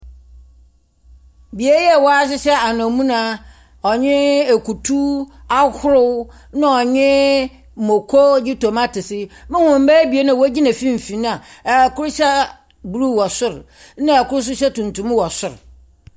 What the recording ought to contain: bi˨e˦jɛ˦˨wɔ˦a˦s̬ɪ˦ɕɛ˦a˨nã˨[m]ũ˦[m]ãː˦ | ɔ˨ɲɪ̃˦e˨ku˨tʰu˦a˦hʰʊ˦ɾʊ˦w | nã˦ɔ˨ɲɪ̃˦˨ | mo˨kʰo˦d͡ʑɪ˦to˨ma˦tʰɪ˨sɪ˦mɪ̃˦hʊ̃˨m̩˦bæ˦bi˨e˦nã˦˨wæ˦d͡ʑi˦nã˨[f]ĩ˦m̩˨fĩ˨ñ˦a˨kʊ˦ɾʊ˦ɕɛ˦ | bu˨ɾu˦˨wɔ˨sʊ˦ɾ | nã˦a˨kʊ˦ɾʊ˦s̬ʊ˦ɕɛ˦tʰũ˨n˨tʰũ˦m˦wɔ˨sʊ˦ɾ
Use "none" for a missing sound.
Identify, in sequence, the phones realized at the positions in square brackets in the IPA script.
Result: m, n, f

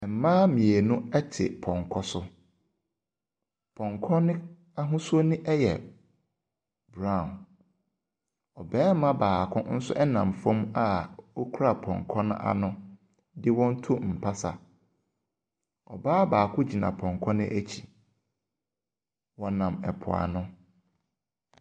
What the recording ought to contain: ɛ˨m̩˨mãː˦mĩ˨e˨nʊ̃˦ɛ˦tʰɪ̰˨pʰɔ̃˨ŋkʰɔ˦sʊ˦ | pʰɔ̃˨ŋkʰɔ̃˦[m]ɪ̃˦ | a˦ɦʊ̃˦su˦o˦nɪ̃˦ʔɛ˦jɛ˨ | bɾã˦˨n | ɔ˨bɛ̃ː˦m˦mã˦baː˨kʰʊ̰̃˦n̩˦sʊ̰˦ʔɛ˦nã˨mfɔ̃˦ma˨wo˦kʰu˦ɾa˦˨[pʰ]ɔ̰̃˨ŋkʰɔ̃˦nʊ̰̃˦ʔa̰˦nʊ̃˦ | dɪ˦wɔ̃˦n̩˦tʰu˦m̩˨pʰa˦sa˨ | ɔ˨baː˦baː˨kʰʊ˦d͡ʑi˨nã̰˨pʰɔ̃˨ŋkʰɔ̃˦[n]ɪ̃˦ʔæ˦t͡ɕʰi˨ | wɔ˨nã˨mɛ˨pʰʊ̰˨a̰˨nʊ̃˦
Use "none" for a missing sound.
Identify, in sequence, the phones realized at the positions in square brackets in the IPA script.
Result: n, pʰ, n

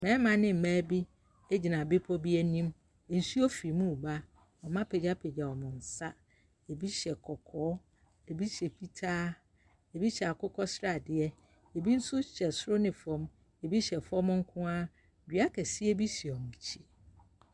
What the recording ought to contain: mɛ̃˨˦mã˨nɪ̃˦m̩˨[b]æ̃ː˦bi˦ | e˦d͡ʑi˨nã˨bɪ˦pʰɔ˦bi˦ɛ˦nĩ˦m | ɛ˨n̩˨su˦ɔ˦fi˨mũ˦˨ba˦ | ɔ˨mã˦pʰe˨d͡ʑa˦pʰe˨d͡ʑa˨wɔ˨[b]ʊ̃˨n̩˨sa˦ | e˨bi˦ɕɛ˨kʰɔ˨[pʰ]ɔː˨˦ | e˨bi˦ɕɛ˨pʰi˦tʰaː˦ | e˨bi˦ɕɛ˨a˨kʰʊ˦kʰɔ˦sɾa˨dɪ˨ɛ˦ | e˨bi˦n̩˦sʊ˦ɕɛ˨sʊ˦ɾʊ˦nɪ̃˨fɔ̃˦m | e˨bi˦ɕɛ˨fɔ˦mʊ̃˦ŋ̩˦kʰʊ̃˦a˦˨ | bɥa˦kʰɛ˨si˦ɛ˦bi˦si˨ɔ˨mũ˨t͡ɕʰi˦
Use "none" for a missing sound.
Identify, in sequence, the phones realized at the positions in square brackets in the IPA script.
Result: m, m, kʰ

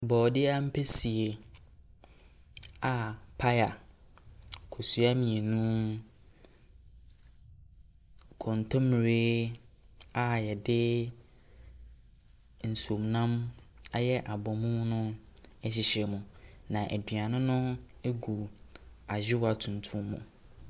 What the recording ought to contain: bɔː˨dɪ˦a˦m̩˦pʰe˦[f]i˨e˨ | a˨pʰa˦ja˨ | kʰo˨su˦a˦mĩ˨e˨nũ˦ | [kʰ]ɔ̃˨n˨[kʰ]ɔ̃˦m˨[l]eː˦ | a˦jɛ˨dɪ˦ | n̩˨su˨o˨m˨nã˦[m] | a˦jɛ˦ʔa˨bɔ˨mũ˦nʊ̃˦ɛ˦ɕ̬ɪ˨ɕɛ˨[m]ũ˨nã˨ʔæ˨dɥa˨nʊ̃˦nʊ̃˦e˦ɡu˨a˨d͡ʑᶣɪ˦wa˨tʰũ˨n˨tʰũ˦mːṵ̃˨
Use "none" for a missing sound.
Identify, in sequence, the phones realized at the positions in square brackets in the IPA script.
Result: s, kʰ, tʰ, ɾ, m, m

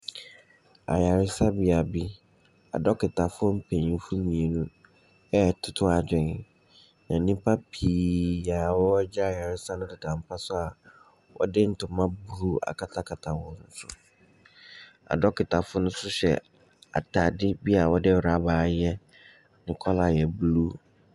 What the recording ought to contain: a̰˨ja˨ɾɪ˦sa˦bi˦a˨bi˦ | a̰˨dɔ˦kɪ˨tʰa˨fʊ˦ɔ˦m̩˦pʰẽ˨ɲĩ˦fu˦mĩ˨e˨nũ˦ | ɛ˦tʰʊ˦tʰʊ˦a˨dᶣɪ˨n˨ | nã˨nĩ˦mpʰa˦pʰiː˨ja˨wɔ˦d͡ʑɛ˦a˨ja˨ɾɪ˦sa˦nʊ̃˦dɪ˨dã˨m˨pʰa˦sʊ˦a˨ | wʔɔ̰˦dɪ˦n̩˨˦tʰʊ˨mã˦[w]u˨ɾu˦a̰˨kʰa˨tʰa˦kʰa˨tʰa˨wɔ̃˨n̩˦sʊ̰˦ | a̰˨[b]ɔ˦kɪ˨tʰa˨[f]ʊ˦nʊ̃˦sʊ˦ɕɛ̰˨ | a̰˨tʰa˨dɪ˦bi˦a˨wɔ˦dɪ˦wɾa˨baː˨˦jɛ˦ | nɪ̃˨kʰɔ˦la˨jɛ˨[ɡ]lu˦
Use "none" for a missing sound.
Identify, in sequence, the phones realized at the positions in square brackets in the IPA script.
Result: b, d, f, b

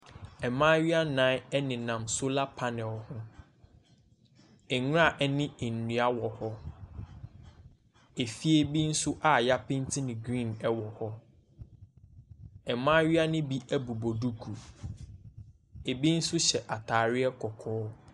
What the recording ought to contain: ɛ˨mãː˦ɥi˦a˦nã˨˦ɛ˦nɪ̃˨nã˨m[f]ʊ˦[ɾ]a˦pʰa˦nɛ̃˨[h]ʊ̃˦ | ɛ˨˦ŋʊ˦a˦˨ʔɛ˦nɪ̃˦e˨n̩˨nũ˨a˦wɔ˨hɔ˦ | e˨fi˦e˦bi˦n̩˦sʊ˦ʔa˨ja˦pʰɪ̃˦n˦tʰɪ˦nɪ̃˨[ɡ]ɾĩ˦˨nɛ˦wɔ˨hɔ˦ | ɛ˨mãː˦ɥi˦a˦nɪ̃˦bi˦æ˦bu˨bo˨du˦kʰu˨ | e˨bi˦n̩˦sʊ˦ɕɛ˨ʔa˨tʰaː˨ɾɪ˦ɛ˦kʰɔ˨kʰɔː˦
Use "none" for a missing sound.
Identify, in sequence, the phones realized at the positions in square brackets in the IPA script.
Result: s, l, h, ɡ

